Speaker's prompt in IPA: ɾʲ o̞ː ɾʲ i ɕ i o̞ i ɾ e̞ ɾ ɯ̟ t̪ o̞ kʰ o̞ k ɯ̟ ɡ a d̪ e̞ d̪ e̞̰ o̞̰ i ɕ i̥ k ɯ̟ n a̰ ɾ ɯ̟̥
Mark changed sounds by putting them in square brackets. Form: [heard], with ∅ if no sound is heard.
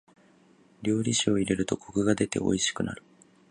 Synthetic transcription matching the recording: ɾʲ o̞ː ɾʲ i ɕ i o̞ i ɾ e̞ ɾ ɯ̟ t̪ o̞ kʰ o̞ k ɯ̟ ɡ a d̪ e̞ [t̪] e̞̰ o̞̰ i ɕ i̥ k ɯ̟ n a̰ ɾ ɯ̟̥